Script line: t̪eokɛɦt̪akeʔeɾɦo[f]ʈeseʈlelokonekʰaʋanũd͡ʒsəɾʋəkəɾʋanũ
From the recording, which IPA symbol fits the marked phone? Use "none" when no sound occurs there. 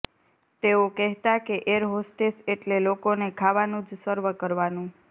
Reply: s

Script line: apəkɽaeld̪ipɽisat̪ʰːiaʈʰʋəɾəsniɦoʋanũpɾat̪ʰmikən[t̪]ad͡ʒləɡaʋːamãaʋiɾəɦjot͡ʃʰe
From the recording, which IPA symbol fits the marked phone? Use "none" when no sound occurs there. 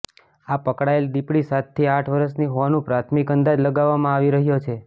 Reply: d̪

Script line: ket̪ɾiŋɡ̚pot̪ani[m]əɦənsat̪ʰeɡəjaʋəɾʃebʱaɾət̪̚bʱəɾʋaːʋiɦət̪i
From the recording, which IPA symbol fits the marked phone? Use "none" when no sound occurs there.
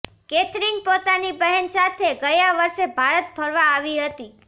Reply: b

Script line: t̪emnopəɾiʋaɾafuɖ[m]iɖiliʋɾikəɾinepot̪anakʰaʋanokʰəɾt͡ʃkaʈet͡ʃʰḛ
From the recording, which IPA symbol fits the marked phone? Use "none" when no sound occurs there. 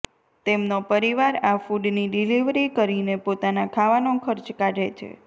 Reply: n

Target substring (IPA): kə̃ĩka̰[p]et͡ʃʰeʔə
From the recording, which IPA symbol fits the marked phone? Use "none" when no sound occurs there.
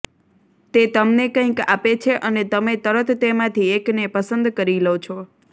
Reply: p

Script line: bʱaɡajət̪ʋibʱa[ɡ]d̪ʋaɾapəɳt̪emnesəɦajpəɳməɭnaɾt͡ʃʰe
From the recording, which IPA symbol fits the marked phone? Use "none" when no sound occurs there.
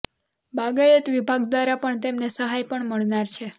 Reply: ɡ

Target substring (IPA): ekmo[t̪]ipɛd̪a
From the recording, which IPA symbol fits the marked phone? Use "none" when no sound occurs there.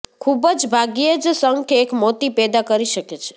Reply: t̪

